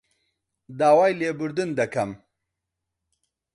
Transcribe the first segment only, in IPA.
d̪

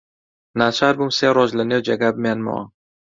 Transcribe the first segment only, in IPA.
n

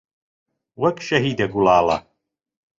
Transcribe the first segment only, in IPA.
w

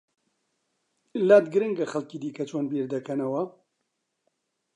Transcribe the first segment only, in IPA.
l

